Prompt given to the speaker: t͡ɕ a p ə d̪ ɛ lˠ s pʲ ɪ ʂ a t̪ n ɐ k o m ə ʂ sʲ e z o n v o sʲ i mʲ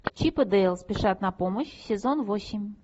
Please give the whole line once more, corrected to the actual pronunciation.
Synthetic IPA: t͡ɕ i p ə d̪ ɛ lˠ s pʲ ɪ ʂ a t̪ n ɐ p o m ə ɕ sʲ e z o n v o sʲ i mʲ